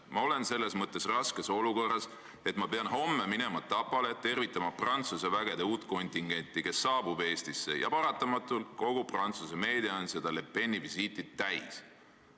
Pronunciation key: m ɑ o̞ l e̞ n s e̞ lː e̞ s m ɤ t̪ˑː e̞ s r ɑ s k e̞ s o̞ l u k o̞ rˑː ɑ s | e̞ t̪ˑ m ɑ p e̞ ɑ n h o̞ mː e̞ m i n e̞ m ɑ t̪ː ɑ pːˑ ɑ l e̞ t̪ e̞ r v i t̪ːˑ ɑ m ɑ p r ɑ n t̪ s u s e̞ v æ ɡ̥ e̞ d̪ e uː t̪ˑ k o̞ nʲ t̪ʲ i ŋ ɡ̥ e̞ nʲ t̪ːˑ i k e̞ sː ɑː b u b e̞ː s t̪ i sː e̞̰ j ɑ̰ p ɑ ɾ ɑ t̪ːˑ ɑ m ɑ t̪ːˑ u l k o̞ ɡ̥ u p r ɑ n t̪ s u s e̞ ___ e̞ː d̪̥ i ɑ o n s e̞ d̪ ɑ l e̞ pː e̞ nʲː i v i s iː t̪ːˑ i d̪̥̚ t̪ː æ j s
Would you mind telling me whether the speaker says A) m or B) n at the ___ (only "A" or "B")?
A